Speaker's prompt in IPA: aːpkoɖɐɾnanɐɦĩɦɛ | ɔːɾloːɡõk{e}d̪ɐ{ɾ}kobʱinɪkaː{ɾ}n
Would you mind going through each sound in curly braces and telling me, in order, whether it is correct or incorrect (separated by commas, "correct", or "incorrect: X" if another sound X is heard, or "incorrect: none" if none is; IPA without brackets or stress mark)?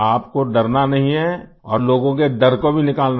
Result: correct, correct, incorrect: l